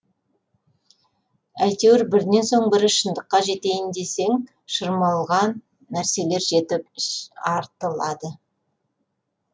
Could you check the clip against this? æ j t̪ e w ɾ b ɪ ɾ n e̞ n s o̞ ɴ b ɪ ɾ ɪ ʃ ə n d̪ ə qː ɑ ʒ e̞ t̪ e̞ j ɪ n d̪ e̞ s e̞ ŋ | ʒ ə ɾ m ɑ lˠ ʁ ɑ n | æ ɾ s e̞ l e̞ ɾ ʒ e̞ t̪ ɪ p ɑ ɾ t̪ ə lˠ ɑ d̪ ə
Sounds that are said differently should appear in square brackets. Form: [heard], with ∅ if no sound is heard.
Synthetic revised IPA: æ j t̪ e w ɾ b ɪ ɾ n e̞ n s o̞ ɴ b ɪ ɾ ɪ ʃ ə n d̪ ə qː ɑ ʒ e̞ t̪ e̞ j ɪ n d̪ e̞ s e̞ ŋ | [ʃ] ə ɾ m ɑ lˠ ʁ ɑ [nː] | æ ɾ s e̞ l e̞ ɾ ʒ e̞ t̪ ɪ p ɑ ɾ t̪ ə lˠ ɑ d̪ ə